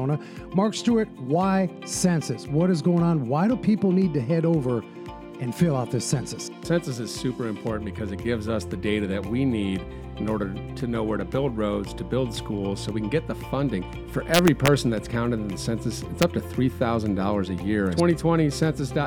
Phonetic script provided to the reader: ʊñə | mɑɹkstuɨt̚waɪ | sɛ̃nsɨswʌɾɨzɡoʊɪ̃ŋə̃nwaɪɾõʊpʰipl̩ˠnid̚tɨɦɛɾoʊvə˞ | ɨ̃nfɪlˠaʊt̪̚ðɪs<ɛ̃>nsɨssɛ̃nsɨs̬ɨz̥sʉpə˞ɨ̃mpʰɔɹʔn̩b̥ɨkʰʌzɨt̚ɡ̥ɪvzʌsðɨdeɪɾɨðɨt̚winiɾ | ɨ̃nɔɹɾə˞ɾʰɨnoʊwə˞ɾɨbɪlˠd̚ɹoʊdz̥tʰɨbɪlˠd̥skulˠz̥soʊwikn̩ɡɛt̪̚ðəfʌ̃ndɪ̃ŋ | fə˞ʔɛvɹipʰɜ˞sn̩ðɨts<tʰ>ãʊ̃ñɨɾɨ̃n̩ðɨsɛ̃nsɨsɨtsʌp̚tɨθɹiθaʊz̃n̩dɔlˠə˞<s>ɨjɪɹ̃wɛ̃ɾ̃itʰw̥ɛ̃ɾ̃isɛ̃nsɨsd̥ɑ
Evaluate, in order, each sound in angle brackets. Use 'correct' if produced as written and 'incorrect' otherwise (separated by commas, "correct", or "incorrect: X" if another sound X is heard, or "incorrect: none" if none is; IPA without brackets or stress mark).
correct, incorrect: kʰ, incorrect: z